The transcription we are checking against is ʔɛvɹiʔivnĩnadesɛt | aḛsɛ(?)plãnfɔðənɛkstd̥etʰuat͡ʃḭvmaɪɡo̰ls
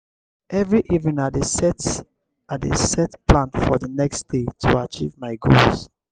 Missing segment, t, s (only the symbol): t